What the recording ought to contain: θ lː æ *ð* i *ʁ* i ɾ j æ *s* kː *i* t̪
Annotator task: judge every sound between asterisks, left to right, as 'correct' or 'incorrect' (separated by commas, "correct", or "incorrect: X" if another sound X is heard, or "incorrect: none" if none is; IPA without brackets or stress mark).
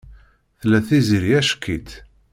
incorrect: θ, incorrect: z, incorrect: ʃ, correct